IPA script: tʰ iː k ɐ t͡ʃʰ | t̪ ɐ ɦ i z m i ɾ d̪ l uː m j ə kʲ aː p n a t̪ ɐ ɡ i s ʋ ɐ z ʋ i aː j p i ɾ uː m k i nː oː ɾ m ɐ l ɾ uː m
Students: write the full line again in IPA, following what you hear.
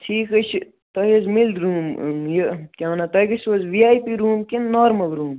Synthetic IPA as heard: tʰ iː k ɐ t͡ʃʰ | t̪ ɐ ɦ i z m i l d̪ ɾ uː m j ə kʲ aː n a t̪ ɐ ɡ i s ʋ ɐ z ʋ i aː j p i ɾ uː m k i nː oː ɾ m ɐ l ɾ uː m